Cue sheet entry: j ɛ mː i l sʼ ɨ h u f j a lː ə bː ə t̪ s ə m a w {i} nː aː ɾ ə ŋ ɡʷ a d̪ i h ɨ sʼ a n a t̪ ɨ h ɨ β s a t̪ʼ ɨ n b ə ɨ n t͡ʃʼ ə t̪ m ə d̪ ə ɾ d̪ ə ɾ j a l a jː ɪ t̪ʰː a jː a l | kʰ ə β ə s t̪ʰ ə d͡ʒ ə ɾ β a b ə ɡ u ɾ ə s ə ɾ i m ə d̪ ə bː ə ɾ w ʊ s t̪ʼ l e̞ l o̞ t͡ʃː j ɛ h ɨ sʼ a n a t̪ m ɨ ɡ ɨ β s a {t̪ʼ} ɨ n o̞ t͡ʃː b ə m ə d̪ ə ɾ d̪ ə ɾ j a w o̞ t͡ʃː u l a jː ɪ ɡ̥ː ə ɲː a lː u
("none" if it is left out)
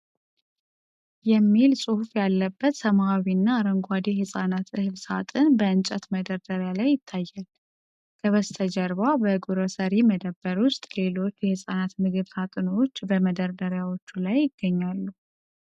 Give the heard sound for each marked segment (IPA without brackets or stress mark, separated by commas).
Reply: i, t̪ʼ